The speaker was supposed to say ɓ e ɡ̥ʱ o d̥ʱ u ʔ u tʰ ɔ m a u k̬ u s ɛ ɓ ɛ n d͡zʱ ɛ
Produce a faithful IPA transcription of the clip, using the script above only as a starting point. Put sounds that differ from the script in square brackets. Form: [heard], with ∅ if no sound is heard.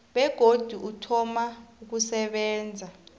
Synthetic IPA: ɓ [ɛ] ɡ̥ʱ o d̥ʱ u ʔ u tʰ ɔ m a u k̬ u s ɛ ɓ [ɛː] n d͡zʱ [a]